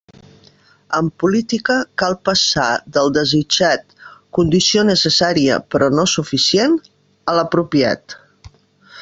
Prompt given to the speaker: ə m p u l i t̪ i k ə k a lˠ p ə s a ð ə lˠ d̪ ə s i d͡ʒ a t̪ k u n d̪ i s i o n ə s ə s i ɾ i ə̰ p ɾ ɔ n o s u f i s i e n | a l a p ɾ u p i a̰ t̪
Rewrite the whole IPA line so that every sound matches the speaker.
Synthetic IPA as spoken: ə m p u l i t̪ i k ə k a lˠ p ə s a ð ə lˠ d̪ ə z i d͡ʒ a t̪ k u n d̪ i s i o n ə s ə s a ɾ i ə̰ p ɾ ɔ n o s u f i s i e n | ə l ə p ɾ u p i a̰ t̪